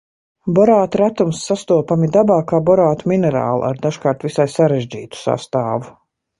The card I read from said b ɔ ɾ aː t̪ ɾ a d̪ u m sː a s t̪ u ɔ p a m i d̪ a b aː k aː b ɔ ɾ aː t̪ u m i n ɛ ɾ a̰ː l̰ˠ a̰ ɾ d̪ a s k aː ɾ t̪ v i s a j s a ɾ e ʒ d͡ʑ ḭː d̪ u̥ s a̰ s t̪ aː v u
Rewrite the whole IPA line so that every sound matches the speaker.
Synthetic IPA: b ɔ ɾ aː t̪ ɾ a t̪ u m sː a s t̪ u ɔ p a m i d̪ a b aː k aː b ɔ ɾ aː t̪ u m i n ɛ ɾ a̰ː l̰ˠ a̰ ɾ d̪ a ʃ k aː ɾ t̪ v i s a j s a ɾ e ʒ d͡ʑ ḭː t̪ u̥ s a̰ s t̪ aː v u